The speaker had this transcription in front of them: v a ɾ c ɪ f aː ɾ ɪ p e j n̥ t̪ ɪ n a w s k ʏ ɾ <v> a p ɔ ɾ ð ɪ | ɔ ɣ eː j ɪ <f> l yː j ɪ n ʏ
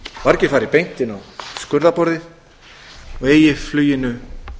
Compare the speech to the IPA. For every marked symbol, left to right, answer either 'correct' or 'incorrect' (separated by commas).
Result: incorrect, correct